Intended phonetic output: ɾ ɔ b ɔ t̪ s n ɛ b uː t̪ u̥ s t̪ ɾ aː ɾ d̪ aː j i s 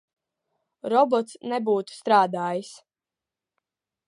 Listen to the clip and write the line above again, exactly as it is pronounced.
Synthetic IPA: ɾ ɔ b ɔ t̪ s n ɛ b uː t̪ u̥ s t̪ ɾ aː d̪ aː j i s

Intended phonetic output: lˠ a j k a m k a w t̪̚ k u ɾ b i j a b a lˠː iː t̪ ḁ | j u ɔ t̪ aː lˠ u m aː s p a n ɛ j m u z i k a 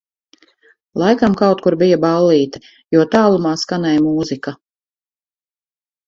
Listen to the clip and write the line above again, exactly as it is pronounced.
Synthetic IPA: lˠ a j k a m k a w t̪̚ k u ɾ b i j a b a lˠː iː t̪ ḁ | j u ɔ t̪ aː lˠ u m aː s k a n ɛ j m uː z i k a

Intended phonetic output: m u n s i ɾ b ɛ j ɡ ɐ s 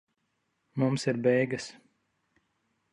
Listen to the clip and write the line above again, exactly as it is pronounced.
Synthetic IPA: m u m s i ɾ b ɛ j ɡ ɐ s

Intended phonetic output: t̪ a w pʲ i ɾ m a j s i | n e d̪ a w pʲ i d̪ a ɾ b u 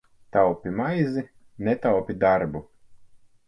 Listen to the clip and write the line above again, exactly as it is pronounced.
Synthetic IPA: t̪ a w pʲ i m a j z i | n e t̪ a w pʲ i d̪ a ɾ b u

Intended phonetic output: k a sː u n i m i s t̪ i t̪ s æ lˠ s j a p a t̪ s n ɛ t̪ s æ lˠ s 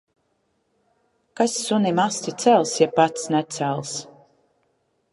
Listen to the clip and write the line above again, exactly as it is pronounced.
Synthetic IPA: k a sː u n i m a s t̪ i t̪ s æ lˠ s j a p a t̪ s n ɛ t̪ s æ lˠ s

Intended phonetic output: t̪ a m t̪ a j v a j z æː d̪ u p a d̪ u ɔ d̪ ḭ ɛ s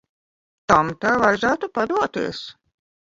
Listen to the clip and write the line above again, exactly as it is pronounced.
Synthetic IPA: t̪ a m t̪ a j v a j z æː t̪ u p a d̪ u ɔ t̪ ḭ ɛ s

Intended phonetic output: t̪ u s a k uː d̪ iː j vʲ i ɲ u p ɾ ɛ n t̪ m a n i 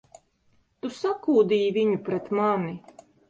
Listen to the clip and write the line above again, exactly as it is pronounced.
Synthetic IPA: t̪ u s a k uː d̪ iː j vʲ i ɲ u p ɾ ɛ t̪ m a n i

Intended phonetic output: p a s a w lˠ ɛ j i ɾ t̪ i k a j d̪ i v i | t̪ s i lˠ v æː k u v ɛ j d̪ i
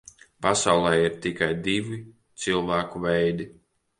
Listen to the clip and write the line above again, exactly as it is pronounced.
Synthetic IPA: p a s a w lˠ ɛ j i ɾ t̪ i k a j d̪ i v i | t̪ s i lˠ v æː k u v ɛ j d̪ i

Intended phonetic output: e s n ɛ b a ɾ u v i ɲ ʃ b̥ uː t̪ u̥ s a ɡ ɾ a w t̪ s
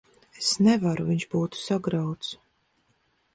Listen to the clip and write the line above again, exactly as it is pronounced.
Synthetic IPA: e s n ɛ v a ɾ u v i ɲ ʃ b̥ uː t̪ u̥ s a ɡ ɾ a w t̪ s

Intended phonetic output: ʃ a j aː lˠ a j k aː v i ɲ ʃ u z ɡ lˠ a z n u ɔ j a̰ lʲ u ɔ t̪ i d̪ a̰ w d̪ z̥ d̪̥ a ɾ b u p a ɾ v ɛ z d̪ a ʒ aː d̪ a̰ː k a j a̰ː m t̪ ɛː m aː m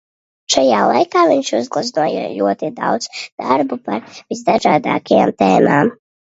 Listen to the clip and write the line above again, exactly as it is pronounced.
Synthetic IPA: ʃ a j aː lˠ a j k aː v i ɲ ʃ u z ɡ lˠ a z n u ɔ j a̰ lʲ u ɔ t̪ i d̪ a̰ w d̪ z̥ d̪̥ a ɾ b u p a ɾ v i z d̪ a ʒ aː d̪ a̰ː k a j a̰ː m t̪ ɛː m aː m

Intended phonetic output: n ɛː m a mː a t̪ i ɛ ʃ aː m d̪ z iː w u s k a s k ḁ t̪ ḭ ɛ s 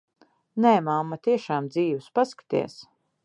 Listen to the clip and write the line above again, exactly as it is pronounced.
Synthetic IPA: n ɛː m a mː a t̪ i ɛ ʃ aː m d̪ z iː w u s p a s k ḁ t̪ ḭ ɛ s

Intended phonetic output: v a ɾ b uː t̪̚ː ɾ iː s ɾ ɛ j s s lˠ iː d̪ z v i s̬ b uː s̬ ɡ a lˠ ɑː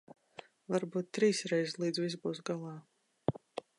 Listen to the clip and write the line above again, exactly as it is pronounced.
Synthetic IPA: v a ɾ b uː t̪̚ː ɾ iː s ɾ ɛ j z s lˠ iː d̪ z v i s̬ b uː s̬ ɡ a lˠ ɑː

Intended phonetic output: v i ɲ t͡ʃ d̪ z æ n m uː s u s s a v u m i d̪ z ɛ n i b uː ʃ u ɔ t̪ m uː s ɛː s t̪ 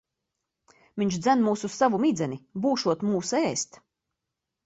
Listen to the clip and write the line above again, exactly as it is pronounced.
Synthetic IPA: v i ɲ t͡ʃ d̪ z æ n m uː s u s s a v u m i d̪ z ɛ n i b uː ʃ u ɔ t̪ m uː s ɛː s t̪

